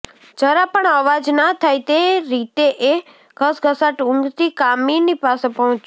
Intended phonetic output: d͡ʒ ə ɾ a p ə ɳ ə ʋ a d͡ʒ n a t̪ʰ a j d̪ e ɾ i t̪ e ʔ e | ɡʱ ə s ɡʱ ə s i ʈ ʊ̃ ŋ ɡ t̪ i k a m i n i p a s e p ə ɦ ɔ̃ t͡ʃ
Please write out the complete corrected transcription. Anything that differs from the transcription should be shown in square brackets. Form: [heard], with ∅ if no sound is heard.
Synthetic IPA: d͡ʒ ə ɾ a p ə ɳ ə ʋ a d͡ʒ n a t̪ʰ a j [t̪] e ɾ i t̪ e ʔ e | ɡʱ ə s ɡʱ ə s [a] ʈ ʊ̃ ŋ ɡ t̪ i k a m i n i p a s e p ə ɦ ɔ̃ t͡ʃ